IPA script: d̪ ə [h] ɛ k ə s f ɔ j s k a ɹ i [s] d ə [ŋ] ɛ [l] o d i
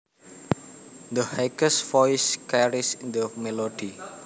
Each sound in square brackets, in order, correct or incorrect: correct, correct, incorrect, correct

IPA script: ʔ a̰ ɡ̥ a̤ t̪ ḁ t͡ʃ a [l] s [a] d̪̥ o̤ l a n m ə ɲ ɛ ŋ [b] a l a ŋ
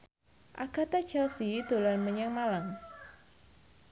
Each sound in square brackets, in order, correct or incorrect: correct, incorrect, incorrect

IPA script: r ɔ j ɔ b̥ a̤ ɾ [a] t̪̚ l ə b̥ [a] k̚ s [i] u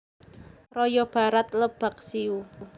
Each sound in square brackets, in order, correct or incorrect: correct, correct, correct

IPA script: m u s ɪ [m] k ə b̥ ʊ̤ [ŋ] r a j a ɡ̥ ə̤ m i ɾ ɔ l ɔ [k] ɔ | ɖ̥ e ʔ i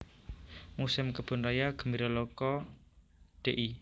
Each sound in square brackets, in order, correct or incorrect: correct, incorrect, correct

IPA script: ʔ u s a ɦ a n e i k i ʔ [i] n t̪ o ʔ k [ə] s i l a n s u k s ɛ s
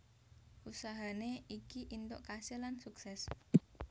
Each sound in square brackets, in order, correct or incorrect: correct, incorrect

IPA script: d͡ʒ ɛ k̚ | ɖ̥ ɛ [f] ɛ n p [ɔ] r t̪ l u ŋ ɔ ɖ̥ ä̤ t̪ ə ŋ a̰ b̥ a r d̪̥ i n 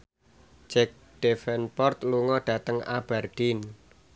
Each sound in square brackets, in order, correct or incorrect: correct, correct

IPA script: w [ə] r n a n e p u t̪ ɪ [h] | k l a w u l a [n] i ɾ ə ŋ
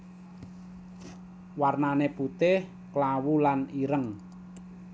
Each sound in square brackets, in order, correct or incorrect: incorrect, correct, correct

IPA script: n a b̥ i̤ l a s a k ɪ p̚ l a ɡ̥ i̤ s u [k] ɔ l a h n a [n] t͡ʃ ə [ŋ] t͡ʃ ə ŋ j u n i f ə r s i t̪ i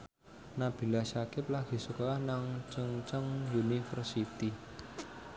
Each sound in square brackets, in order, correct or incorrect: correct, incorrect, correct

